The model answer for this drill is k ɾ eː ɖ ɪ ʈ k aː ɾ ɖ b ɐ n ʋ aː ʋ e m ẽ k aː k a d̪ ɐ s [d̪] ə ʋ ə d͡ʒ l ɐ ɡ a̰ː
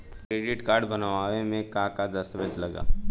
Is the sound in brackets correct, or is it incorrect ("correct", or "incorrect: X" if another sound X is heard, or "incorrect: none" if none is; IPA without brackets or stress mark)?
incorrect: t̪